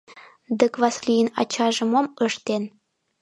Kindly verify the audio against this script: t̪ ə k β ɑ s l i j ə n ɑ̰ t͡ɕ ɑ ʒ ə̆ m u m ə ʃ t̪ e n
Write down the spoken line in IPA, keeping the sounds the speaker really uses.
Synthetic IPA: d̪ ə k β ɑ s l i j ə n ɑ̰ t͡ɕ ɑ ʒ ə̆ m o m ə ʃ t̪ e n